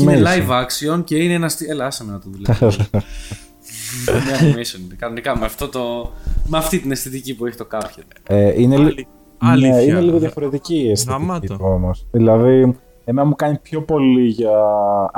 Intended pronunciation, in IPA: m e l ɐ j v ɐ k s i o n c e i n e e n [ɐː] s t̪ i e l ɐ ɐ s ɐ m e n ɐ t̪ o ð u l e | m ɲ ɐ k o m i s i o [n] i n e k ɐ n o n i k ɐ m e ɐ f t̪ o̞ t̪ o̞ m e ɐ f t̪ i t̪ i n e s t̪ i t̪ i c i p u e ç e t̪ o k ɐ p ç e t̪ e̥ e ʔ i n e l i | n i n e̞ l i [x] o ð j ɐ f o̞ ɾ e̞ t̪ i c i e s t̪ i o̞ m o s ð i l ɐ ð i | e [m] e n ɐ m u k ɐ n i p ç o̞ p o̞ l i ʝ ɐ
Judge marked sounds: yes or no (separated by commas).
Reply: no, yes, no, yes